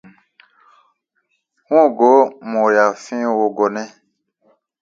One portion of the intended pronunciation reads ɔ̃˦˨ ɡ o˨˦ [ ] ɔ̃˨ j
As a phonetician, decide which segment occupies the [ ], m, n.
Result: m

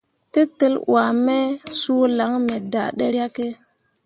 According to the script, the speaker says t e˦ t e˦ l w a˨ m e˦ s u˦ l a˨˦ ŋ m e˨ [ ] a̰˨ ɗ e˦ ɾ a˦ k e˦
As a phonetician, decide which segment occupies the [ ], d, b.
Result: d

